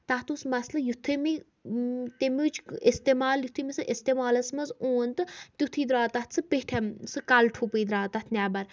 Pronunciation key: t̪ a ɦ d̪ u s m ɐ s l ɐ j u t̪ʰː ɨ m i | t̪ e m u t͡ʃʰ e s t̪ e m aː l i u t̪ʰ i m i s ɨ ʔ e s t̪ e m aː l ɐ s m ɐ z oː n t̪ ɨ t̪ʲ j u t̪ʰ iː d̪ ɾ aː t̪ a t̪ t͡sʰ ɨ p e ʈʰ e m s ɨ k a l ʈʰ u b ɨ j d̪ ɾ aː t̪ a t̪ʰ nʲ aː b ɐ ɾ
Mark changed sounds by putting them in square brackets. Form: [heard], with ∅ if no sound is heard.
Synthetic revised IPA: t̪ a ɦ [t̪] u s m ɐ s l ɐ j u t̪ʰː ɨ m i | t̪ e m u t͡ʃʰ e s t̪ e m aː l [j] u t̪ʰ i m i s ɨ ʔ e s t̪ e m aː l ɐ s m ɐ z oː n t̪ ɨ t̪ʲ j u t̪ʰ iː d̪ ɾ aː t̪ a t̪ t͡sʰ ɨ p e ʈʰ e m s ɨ k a l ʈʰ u [p] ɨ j d̪ ɾ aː t̪ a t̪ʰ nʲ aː b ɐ ɾ